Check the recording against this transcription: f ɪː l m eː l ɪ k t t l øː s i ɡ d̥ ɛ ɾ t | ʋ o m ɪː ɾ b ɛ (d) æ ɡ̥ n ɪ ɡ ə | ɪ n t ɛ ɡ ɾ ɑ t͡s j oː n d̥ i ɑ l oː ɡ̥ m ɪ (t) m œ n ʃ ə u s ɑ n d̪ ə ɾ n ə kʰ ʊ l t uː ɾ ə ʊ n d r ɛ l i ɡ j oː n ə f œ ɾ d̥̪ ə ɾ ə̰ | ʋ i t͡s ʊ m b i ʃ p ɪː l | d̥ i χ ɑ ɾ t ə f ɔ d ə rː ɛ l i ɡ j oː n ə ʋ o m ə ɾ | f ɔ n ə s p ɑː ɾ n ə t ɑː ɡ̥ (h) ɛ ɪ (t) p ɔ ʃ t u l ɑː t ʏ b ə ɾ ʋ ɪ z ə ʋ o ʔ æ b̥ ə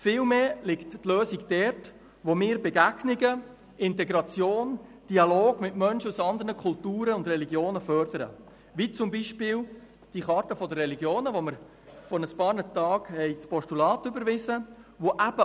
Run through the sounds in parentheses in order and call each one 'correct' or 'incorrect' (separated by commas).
incorrect, correct, correct, incorrect